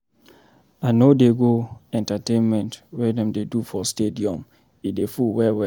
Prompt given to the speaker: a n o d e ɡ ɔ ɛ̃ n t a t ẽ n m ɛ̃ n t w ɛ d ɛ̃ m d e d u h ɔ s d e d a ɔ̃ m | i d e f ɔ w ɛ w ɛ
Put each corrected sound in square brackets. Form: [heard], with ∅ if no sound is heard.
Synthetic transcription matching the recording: a n o d e ɡ [o] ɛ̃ n t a t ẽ n m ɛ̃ n t w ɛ d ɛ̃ m d e d u [f] ɔ s [t] e d [i] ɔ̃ m | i d e f [u] w ɛ w ɛ